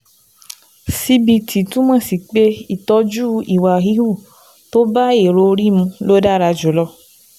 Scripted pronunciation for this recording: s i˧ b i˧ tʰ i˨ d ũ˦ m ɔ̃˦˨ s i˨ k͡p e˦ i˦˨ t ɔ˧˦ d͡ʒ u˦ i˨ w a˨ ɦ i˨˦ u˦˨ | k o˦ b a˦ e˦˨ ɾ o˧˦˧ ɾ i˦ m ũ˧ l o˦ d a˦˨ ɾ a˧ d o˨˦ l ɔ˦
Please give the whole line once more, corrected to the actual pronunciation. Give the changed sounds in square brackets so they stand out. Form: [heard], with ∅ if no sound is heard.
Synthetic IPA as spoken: s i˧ b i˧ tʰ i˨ [t] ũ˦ m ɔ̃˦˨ s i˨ k͡p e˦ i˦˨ t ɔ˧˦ d͡ʒ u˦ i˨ w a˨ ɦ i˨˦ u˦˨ | [t] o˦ b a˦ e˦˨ ɾ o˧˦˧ ɾ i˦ m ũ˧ l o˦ d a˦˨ ɾ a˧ [d͡ʒ] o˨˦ l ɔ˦